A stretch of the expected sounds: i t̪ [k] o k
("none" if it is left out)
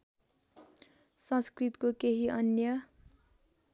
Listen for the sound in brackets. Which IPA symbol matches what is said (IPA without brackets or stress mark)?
k